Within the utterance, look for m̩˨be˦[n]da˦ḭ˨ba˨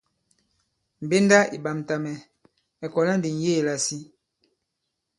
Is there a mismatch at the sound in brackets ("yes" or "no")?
no